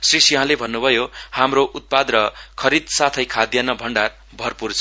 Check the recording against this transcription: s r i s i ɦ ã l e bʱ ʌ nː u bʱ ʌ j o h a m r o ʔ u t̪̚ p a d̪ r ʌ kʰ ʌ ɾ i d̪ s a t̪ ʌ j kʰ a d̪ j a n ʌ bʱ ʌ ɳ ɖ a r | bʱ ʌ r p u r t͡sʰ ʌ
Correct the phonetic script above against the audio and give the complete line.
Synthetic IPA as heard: s r i s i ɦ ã l e bʱ ʌ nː u bʱ ʌ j o h a m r o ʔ u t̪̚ p a d̪ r ʌ kʰ ʌ ɾ i d̪ s a t̪ʰ ʌ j kʰ a d̪ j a n ʌ bʱ ʌ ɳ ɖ a r | bʱ ʌ r p u r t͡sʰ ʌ